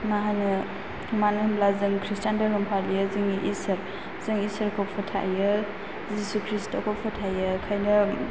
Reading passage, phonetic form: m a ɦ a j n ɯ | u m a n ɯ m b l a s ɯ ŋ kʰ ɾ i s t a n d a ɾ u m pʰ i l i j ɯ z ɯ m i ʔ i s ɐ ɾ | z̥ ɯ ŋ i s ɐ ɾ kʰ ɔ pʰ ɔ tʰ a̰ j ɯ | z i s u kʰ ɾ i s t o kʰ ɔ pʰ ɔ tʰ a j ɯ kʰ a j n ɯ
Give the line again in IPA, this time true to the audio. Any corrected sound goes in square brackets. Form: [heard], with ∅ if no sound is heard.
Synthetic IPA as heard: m a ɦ a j n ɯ | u m a n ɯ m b l a [z] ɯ ŋ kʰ ɾ i s t a n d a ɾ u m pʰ [a] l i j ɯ z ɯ [ŋ] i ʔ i s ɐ ɾ | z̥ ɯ ŋ i s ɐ ɾ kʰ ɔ pʰ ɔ tʰ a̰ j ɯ | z i s u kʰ ɾ i s t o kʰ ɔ pʰ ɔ tʰ a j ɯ kʰ a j n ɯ